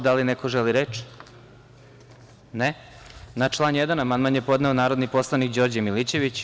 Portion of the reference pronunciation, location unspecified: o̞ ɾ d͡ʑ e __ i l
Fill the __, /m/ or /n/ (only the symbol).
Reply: m